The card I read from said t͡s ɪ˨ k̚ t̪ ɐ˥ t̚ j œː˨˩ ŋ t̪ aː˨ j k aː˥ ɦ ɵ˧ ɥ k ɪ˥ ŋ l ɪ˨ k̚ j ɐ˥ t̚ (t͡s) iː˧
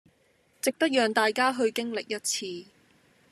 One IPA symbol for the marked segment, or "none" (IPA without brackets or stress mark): t͡sʰ